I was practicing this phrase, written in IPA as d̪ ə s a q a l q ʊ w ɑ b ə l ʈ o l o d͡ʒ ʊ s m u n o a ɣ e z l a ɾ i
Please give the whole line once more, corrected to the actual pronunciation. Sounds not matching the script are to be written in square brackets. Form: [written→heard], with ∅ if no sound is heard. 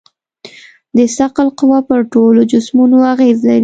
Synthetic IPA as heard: d̪ ə s a q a l q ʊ w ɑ [b→p] ə [l→ɾ] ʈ o l o d͡ʒ ʊ s m u n o a ɣ e z l a ɾ i